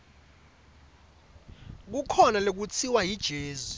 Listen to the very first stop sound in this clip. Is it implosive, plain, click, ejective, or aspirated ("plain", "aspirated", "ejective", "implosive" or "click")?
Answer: plain